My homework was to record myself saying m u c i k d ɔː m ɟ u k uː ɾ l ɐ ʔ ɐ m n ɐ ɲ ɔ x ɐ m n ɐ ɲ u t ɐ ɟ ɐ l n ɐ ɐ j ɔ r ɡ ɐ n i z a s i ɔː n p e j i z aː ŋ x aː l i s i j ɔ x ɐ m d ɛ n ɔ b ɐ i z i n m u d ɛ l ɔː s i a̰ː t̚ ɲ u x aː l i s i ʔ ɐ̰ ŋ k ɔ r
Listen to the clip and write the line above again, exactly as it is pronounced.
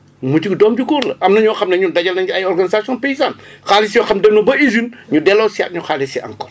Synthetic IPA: m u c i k d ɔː m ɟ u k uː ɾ l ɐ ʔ ɐ m n ɐ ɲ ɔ x ɐ m n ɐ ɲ u d ɐ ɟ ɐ l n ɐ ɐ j ɔ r ɡ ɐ n i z a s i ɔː n p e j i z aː n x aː l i s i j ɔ x ɐ m d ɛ n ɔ b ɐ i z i n ɲ u d ɛ l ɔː s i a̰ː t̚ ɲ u x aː l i s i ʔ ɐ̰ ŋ k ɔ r